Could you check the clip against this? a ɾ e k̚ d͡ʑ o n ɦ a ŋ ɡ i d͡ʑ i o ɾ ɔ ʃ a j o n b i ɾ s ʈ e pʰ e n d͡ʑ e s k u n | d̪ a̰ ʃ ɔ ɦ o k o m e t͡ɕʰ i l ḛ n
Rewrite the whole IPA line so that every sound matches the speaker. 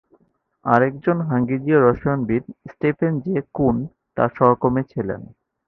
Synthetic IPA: a ɾ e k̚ d͡ʑ o n ɦ a ŋ ɡ i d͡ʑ i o ɾ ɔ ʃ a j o n b i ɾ s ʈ e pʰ e n d͡ʑ e k u n | t̪ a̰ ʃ ɔ ɦ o k o m e t͡ɕʰ i l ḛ n